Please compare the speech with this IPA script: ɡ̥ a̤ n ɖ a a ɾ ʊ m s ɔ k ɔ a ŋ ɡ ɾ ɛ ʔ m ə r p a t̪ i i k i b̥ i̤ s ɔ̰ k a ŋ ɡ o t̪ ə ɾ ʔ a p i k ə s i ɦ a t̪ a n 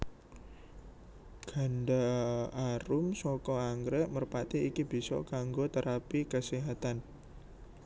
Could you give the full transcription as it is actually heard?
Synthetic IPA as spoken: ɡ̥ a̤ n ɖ a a ɾ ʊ m s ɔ k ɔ a ŋ ɡ ɾ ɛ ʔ m ə r p a t̪ i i k i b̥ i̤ s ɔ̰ k a ŋ ɡ o t̪ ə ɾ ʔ a p i k ə s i ɦ a t̪ a n